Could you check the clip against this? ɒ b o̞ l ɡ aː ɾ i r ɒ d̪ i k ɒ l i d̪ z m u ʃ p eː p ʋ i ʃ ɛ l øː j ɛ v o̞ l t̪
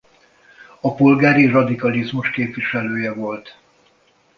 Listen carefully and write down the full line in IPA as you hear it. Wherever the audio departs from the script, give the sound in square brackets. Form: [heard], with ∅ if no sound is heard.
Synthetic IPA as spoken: ɒ [p] o̞ l ɡ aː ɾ i r ɒ d̪ i k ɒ l i [∅] z m u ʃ [k] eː p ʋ i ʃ ɛ l øː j ɛ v o̞ l t̪